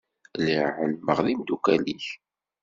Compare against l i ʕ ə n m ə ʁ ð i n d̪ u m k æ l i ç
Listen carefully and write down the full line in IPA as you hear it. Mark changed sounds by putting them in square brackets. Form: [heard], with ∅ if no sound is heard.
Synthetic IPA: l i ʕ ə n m ə ʁ ð i [m] d̪ u [∅] k æ l i ç